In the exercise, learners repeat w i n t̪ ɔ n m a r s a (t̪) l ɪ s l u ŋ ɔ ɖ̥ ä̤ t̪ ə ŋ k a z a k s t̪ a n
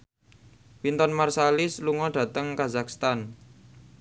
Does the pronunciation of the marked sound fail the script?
yes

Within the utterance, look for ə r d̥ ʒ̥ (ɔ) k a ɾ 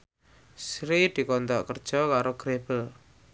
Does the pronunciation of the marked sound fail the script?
no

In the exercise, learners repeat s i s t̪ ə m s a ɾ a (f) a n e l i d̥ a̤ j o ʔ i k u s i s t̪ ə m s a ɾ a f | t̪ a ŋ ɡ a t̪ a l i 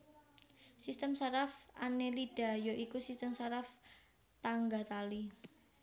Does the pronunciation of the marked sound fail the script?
no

